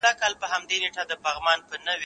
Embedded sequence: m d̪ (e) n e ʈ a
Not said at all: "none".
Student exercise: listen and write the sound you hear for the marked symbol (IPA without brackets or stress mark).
e